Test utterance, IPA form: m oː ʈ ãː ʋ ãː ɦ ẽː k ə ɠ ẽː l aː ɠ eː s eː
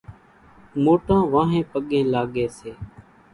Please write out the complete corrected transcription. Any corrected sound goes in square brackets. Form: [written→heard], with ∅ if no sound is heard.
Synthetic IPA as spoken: m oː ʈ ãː ʋ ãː ɦ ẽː [k→p] ə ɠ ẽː l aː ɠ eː s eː